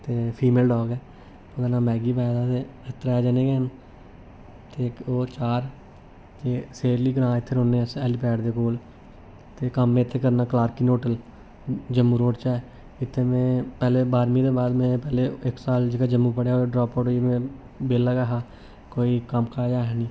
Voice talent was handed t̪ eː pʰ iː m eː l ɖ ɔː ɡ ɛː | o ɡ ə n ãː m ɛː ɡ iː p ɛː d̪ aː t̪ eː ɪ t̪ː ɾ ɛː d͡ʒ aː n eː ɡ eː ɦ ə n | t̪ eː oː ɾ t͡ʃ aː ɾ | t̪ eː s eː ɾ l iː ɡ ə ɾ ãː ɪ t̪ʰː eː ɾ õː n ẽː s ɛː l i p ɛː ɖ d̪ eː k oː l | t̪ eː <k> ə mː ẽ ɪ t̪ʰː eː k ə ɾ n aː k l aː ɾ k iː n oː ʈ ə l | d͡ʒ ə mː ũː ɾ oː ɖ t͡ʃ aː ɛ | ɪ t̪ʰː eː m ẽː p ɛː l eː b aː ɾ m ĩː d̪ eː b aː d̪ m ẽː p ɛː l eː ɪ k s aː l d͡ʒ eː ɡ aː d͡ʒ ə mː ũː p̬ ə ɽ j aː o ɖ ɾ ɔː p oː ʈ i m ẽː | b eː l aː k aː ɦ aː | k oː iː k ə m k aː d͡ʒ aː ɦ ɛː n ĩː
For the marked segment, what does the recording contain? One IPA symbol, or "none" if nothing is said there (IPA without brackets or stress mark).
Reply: k